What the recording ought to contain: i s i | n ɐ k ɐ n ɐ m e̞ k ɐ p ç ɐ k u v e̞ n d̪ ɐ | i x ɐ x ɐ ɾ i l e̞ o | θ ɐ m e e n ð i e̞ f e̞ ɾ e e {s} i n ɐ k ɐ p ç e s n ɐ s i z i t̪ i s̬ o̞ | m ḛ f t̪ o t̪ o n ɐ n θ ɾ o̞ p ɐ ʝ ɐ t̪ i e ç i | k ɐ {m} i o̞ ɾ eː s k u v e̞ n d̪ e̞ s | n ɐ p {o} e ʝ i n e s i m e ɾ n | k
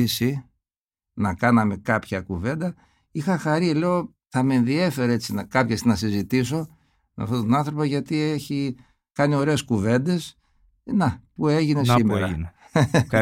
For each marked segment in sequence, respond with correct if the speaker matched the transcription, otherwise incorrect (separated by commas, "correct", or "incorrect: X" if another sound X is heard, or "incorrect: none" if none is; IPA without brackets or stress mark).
incorrect: t͡s, incorrect: n, incorrect: u